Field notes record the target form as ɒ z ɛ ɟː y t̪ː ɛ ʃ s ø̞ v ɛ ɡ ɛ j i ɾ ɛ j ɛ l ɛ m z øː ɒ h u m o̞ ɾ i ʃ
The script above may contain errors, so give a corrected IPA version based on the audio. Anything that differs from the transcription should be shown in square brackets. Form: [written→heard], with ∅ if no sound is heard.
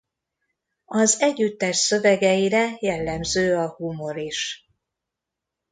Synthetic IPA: ɒ z ɛ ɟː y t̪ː ɛ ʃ s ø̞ v ɛ ɡ ɛ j i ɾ ɛ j ɛ [l→lː] ɛ m z øː ɒ h u m o̞ ɾ i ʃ